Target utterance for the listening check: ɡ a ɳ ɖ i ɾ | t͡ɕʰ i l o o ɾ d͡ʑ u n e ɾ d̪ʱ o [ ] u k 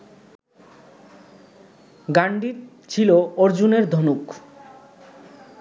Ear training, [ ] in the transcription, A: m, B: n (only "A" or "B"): B